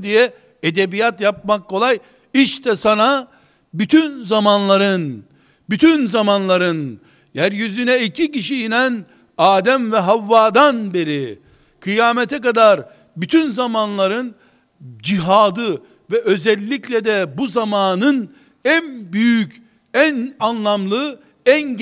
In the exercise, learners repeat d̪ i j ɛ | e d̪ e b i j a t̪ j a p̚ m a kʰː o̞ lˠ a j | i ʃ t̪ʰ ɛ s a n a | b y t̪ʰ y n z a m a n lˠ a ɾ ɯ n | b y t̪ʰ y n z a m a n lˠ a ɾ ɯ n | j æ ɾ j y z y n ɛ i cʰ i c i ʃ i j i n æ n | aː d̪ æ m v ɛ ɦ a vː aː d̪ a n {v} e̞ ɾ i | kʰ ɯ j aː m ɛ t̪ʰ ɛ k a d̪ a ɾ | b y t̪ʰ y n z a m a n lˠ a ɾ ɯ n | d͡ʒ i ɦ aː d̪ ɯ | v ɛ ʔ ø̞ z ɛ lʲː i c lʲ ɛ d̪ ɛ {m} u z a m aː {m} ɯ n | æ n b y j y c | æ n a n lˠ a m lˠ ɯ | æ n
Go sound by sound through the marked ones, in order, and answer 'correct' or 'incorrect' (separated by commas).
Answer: incorrect, incorrect, incorrect